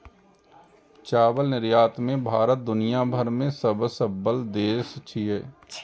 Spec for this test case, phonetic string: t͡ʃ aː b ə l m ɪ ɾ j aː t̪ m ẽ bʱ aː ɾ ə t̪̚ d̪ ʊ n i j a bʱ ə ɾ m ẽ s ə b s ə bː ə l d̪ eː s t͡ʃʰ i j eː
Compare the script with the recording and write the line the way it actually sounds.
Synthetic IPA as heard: t͡ʃ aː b ə l n ɪ ɾ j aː t̪ m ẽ bʱ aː ɾ ə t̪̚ d̪ ʊ n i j a bʱ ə ɾ m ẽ s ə b s ə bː ə l d̪ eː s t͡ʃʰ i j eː